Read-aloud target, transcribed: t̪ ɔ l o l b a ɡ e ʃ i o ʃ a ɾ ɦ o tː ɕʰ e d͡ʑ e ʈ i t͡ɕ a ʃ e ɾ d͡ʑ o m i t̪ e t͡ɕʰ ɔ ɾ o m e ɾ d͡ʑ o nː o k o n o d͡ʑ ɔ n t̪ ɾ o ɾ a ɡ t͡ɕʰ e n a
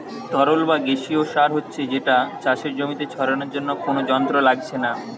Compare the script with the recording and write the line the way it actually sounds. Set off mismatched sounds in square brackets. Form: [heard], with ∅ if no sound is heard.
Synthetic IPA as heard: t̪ ɔ [ɾ] o l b a ɡ e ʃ i o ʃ a ɾ ɦ o tː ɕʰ e d͡ʑ e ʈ [a] t͡ɕ a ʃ e ɾ d͡ʑ o m i t̪ e t͡ɕʰ ɔ ɾ o [n] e ɾ d͡ʑ o nː o k o n o d͡ʑ ɔ n t̪ ɾ o [l] a ɡ t͡ɕʰ e n a